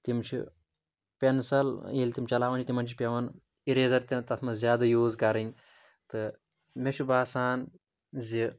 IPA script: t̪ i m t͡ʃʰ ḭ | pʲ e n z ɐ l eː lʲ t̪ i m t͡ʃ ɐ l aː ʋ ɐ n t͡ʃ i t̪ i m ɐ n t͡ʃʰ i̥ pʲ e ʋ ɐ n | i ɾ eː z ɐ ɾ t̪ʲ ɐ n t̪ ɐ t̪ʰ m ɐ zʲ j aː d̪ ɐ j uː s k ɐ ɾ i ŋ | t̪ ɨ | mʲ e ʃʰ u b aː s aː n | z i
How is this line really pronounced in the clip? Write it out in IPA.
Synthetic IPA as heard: t̪ i m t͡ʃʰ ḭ | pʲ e n s ɐ l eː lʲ t̪ i m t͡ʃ ɐ l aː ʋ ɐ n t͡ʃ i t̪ i m ɐ n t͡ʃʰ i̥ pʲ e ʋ ɐ n | i ɾ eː z ɐ ɾ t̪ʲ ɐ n t̪ ɐ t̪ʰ m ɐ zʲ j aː d̪ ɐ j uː z k ɐ ɾ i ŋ | t̪ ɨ | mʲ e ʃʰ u b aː s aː n | z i